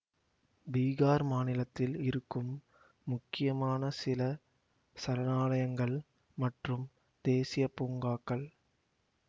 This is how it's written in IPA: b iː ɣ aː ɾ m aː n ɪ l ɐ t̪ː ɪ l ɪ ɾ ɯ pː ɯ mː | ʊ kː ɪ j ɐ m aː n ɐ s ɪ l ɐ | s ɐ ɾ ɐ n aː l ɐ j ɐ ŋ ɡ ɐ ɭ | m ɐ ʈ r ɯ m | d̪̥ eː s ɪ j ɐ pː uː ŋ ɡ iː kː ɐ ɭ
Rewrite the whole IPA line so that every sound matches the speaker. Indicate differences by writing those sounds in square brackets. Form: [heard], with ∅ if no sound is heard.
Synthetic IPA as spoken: b iː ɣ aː ɾ m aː n ɪ l ɐ t̪ː ɪ l ɪ ɾ ɯ [kː] ɯ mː | ʊ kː ɪ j ɐ m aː n ɐ s ɪ l ɐ | s ɐ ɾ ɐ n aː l ɐ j ɐ ŋ ɡ ɐ ɭ | m ɐ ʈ r ɯ m | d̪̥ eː s ɪ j ɐ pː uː ŋ ɡ [aː] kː ɐ ɭ

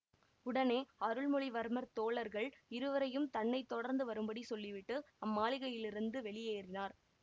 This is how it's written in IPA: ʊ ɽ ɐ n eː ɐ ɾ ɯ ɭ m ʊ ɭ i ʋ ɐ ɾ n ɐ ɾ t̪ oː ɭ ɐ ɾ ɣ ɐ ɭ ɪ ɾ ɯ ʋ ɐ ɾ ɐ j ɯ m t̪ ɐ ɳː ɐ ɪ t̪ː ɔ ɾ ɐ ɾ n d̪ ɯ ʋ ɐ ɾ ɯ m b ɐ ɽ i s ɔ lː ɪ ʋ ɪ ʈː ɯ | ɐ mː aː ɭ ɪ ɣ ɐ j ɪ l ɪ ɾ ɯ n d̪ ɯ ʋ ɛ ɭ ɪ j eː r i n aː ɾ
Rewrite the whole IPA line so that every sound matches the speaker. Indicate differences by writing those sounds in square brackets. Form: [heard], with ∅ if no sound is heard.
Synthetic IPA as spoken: ʊ ɽ ɐ n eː ɐ ɾ ɯ ɭ m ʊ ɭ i ʋ ɐ ɾ [m] ɐ ɾ t̪ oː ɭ ɐ ɾ ɣ ɐ ɭ ɪ ɾ ɯ ʋ ɐ ɾ ɐ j ɯ m t̪ ɐ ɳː ɐ ɪ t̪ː ɔ [ɽ] ɐ ɾ n d̪ ɯ ʋ ɐ ɾ ɯ m b ɐ ɽ i s ɔ lː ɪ ʋ ɪ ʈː ɯ | ɐ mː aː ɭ ɪ ɣ ɐ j ɪ l ɪ ɾ ɯ n d̪ ɯ ʋ ɛ ɭ ɪ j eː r [ɪ] n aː ɾ

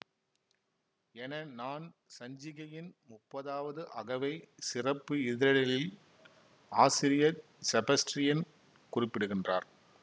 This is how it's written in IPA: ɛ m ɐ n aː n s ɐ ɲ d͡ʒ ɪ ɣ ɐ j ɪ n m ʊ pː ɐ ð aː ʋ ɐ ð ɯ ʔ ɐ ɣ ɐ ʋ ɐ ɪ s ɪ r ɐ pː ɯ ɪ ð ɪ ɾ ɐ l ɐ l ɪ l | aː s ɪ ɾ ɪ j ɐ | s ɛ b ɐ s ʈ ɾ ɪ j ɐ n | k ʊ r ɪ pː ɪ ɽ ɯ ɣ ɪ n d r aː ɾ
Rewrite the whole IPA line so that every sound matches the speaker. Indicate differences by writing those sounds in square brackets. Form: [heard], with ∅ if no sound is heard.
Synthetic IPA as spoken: ɛ [n] ɐ n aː n s ɐ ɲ d͡ʒ ɪ ɣ ɐ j ɪ n m ʊ pː ɐ ð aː ʋ ɐ ð ɯ ʔ ɐ ɣ ɐ ʋ ɐ ɪ s ɪ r ɐ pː ɯ ɪ ð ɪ ɾ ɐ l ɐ l ɪ l | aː s ɪ ɾ ɪ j ɐ | s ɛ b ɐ s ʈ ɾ ɪ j ɐ n | k ʊ r ɪ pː ɪ ɽ ɯ ɣ ɪ n d r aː ɾ

